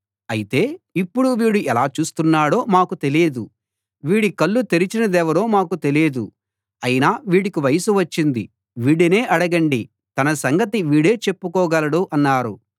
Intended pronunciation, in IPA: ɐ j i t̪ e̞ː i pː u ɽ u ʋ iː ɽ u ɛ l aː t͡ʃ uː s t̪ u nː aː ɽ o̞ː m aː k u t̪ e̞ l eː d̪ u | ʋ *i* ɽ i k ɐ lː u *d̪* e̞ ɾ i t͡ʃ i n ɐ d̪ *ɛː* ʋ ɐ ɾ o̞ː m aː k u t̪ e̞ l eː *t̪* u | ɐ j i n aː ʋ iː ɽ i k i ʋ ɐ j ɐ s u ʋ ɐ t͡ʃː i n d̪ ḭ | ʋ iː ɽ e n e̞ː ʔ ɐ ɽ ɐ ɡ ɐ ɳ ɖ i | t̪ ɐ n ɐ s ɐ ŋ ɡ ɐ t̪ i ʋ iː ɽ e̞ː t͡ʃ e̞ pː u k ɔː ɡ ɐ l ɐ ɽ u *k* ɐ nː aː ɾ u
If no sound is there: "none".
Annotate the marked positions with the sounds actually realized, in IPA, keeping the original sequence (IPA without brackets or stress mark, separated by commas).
iː, t̪, ɛː, d̪, ʔ